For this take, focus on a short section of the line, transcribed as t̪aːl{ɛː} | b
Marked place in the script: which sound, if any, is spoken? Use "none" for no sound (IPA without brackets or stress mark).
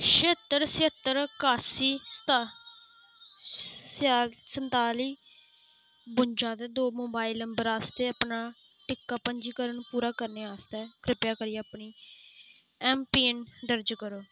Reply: iː